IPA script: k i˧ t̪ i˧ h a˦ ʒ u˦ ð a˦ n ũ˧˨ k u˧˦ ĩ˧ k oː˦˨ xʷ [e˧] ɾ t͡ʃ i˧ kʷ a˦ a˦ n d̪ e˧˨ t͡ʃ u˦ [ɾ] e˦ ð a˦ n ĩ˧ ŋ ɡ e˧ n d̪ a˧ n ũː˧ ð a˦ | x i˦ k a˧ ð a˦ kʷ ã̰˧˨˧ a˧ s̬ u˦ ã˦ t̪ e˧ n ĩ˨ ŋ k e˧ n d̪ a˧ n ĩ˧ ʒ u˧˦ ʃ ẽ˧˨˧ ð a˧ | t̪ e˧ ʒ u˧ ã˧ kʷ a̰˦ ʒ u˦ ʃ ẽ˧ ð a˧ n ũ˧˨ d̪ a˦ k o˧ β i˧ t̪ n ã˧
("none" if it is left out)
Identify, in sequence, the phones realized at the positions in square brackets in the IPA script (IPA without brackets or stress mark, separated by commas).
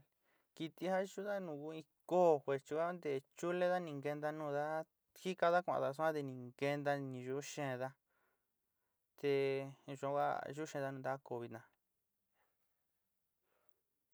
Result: e˧, l